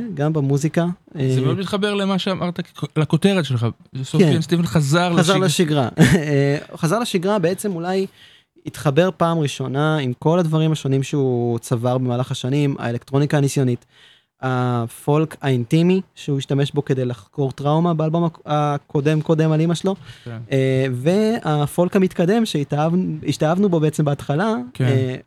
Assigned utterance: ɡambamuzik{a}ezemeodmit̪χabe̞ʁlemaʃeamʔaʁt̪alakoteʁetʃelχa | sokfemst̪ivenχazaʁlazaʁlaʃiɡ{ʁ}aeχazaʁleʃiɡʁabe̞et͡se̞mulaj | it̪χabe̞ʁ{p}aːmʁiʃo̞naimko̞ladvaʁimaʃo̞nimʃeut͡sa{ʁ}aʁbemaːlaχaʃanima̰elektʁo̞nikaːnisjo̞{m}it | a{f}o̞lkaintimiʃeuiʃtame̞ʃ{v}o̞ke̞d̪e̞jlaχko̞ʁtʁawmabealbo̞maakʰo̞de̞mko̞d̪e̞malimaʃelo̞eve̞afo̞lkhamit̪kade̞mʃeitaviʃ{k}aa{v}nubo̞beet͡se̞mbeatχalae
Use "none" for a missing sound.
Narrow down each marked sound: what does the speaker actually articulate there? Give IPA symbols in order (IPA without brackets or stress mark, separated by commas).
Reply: a, ʁ, p, v, n, f, b, t, v